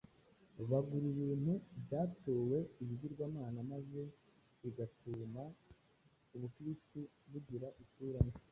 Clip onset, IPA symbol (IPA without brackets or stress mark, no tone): β